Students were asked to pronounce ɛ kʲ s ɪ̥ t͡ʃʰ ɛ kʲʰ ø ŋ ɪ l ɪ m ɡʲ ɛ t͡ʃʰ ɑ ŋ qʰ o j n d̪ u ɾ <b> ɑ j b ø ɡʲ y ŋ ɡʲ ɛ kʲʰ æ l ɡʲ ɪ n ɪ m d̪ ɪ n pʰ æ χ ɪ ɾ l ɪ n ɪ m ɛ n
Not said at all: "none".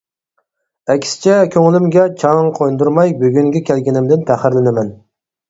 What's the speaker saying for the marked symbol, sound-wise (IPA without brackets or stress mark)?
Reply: m